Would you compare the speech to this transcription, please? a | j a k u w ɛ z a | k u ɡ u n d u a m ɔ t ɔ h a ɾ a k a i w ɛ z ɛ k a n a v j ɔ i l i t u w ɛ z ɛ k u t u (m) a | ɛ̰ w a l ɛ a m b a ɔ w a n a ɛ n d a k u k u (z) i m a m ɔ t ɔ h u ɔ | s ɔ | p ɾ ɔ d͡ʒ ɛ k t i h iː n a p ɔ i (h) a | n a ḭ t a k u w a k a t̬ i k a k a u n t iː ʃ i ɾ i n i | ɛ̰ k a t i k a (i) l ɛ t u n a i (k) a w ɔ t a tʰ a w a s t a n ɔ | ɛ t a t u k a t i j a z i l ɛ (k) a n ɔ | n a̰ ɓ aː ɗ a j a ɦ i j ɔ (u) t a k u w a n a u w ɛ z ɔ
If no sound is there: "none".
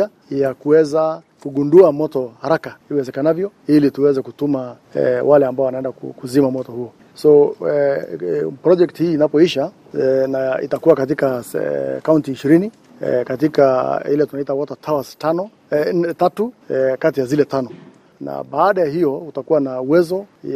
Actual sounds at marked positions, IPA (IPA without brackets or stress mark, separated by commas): m, z, ʃ, i, t, t, u